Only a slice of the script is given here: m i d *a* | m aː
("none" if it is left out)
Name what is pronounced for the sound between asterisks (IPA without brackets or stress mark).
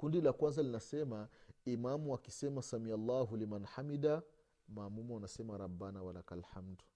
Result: a